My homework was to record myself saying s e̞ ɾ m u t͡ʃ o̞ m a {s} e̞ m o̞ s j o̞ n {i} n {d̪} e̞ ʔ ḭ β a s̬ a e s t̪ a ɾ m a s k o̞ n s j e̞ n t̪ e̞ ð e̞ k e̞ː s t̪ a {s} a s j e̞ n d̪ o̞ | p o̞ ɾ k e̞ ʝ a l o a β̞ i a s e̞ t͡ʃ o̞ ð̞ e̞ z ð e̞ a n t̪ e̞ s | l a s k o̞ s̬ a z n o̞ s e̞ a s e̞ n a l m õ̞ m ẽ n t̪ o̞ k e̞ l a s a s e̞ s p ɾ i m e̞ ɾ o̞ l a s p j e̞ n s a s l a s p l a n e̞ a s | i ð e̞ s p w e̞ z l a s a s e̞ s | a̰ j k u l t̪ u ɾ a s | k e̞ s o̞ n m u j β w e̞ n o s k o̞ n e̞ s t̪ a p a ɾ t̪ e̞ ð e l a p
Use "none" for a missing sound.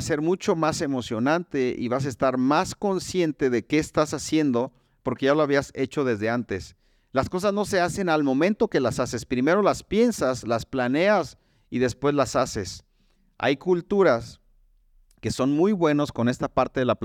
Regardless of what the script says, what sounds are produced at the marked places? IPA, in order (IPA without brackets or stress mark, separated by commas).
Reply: s, a, t̪, s